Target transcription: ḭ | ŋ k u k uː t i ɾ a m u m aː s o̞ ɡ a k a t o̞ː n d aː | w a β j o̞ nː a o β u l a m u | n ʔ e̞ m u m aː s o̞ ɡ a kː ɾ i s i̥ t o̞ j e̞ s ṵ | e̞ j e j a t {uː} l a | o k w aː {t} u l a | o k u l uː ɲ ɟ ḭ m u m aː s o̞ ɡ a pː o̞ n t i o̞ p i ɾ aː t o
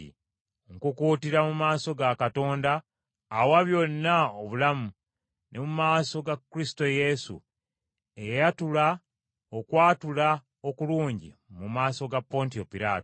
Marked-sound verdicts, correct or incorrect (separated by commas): incorrect, correct